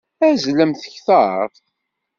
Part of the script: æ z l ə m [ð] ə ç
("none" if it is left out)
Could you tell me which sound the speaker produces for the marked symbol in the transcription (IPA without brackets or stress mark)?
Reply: θ